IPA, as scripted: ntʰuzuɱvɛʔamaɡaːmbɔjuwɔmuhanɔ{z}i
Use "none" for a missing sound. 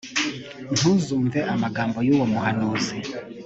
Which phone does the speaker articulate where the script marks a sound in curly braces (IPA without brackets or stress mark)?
z